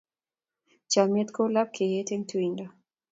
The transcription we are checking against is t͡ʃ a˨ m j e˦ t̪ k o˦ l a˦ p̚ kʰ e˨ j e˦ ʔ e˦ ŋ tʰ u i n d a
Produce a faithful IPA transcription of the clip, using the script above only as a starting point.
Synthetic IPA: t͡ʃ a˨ m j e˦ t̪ k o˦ l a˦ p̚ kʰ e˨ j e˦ t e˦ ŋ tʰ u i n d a